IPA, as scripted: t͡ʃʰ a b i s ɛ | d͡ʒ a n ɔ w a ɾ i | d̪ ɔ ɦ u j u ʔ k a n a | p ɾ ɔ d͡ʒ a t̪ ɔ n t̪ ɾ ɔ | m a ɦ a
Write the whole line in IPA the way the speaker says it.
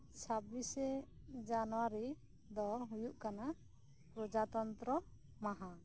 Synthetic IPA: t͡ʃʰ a b i s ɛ | d͡ʒ a n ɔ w a ɾ i | d̪ ɔ ɦ u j u ʔ k a n a | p ɾ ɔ d͡ʒ a t̪ ɔ n t̪ ɾ ɔ | m a ɦ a